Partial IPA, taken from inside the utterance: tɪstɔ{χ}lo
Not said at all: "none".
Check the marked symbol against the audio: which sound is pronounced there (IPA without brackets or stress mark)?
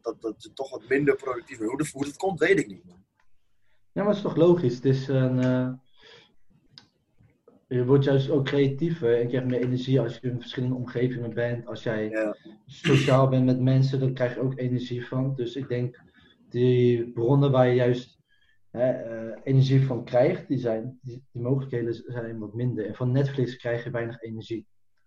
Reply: χ